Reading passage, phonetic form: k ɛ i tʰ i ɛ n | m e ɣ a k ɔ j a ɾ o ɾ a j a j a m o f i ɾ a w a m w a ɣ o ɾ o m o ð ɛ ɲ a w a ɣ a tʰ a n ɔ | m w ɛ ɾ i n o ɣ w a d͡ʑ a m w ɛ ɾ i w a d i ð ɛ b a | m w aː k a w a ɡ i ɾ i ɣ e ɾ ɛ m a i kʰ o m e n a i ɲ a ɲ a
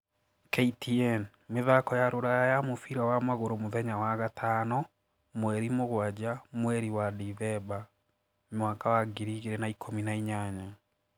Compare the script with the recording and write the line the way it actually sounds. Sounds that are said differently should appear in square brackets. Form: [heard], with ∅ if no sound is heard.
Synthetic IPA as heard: k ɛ i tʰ i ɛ n | m e [ð] a k ɔ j a ɾ o ɾ a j a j a m o f i ɾ a w a m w a ɣ o ɾ o m o ð ɛ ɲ a w a ɣ a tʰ a n ɔ | m w ɛ ɾ i [m] o ɣ w a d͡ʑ a m w ɛ ɾ i w a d i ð ɛ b a | m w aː k a w a ɡ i ɾ i ɣ e ɾ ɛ [n] a i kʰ o m [i] n a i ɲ a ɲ a